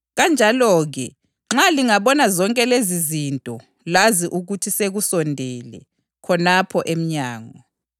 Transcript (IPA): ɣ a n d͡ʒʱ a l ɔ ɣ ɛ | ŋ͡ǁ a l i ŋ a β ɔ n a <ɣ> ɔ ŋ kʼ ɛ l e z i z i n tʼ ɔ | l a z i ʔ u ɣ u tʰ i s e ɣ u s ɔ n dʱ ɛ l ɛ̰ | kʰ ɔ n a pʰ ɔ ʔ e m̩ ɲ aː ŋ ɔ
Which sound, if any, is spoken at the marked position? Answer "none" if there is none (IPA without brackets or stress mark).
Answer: z